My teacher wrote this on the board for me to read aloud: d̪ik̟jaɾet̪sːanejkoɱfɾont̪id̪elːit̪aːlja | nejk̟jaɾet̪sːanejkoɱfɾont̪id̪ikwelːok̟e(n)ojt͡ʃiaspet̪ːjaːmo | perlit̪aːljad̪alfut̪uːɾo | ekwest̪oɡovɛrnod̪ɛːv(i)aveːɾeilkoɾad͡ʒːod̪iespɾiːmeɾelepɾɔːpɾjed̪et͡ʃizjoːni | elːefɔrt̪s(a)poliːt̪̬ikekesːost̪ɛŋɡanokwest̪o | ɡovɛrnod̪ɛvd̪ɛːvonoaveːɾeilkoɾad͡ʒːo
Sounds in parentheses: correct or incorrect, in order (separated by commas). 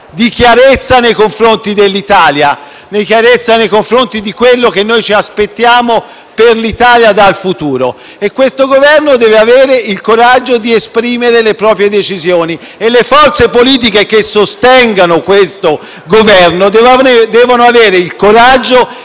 incorrect, incorrect, incorrect